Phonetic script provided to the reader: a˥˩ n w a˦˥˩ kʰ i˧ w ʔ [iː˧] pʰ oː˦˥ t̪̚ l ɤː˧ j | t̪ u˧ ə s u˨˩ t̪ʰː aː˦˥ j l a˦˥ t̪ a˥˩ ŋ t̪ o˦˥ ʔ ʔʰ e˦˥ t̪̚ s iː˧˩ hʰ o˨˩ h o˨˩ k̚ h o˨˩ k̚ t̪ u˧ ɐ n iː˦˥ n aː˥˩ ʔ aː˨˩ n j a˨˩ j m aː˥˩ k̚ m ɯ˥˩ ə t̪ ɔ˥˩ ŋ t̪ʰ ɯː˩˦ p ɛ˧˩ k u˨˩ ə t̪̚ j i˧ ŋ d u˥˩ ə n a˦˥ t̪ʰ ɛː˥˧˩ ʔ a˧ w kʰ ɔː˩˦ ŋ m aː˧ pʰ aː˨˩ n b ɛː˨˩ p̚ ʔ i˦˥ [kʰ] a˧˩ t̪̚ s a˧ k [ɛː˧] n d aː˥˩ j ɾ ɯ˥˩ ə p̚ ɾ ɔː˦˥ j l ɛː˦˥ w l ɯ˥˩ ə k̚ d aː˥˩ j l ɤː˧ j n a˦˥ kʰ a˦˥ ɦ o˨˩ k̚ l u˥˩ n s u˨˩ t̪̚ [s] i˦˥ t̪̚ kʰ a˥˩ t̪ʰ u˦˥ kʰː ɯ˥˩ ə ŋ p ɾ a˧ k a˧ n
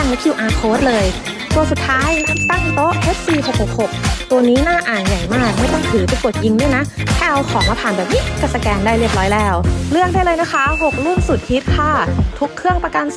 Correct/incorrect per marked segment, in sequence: incorrect: aː˧, incorrect: k, correct, incorrect: h

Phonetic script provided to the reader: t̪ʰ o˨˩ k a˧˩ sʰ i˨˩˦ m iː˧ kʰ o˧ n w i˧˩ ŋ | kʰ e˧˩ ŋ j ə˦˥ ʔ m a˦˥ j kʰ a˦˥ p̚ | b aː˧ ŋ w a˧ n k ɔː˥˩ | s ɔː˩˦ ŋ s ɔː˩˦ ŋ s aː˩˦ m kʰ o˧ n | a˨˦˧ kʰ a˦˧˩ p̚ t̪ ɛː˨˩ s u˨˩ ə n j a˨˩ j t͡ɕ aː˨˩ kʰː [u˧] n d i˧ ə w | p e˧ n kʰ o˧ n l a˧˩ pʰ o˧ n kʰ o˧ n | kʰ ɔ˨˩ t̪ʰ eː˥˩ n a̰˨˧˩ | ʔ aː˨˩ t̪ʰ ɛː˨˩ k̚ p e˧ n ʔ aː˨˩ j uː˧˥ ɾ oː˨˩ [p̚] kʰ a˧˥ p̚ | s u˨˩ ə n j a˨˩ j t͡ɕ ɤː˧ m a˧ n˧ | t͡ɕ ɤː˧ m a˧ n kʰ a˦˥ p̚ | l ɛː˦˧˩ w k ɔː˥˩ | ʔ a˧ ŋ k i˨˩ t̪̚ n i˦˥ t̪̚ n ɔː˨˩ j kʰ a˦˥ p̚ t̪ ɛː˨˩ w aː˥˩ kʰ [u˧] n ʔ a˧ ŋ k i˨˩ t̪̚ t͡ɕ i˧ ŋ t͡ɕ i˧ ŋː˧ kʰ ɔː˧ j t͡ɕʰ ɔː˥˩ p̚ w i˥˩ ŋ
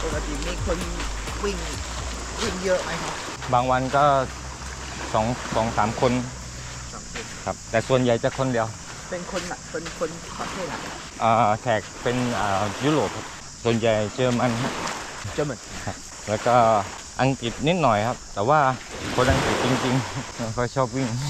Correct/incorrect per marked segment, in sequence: incorrect: o˧, correct, incorrect: o˧

